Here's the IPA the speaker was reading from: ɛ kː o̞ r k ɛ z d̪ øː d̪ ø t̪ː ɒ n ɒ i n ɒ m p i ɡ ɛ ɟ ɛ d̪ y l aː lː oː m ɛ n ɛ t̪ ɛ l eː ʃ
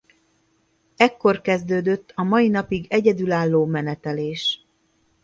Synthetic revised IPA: ɛ kː o̞ r k ɛ z d̪ øː d̪ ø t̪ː ɒ m ɒ i n ɒ p i ɡ ɛ ɟ ɛ d̪ y l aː lː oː m ɛ n ɛ t̪ ɛ l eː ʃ